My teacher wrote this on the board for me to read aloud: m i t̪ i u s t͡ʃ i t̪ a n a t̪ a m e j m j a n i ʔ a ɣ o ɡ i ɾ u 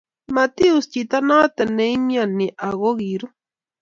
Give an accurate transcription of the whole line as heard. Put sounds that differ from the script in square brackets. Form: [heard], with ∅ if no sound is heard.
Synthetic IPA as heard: m [a] t̪ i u s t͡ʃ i t̪ a n a t̪ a [n] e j m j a n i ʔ a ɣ o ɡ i ɾ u